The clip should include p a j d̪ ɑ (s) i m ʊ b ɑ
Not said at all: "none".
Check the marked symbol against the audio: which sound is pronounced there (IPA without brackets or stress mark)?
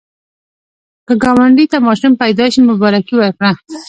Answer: ʃ